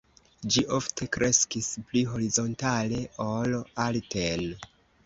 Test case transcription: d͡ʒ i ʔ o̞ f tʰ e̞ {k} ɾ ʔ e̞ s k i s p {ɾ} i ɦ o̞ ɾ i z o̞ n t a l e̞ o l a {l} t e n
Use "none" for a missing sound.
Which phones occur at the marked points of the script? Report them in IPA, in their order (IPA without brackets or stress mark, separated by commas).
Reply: k, l, l